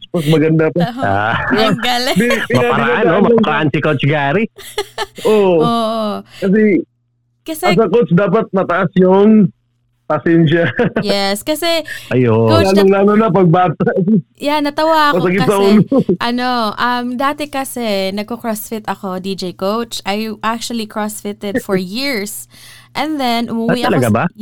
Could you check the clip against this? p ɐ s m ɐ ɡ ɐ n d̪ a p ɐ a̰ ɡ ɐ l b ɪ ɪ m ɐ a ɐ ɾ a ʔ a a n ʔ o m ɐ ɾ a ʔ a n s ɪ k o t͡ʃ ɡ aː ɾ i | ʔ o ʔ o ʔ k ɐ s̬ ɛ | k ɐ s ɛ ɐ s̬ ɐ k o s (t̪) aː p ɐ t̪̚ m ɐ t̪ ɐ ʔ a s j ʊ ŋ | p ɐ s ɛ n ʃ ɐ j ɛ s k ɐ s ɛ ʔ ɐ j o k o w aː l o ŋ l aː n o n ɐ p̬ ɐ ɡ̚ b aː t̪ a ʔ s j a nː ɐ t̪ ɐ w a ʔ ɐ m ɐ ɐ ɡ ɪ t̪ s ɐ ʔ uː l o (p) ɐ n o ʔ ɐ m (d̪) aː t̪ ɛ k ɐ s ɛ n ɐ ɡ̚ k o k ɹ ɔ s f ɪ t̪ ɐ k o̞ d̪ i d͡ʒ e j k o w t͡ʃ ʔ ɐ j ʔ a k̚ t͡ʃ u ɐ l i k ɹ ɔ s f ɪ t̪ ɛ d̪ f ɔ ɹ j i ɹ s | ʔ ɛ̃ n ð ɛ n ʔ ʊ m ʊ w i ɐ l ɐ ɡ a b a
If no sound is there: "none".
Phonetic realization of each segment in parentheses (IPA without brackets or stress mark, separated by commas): d̪, ʔ, d̪